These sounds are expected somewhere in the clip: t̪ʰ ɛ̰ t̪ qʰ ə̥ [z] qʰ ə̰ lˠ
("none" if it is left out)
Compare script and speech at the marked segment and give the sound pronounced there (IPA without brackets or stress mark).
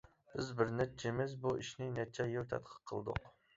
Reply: none